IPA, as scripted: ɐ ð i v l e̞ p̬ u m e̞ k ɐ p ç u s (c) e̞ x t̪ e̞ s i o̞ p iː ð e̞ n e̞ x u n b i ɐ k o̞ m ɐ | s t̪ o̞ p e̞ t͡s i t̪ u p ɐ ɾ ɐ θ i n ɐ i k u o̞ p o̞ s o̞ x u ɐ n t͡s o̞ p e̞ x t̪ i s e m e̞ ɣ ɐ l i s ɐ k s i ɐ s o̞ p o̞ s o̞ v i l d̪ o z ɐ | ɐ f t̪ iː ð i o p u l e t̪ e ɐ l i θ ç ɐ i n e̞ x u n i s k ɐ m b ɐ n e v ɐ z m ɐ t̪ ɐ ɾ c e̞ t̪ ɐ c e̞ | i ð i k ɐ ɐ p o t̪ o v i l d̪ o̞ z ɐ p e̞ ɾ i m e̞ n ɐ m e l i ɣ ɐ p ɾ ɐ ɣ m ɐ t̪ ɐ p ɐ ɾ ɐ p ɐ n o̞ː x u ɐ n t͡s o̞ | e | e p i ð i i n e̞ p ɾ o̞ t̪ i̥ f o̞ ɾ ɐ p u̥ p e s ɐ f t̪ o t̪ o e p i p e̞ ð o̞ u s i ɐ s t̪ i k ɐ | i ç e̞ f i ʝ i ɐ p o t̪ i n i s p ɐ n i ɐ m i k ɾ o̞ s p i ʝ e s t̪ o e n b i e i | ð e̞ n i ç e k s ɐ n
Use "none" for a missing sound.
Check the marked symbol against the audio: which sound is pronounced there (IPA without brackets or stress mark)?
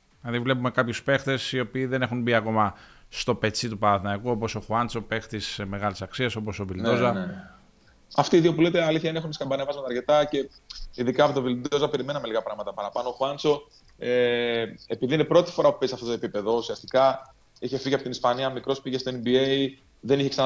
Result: p